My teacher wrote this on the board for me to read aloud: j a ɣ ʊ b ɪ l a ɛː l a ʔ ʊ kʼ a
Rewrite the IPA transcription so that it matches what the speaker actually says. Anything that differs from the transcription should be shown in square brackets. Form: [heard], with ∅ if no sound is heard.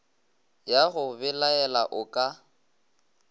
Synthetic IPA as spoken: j a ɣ ʊ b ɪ l a [ɛ] l a ʔ ʊ kʼ a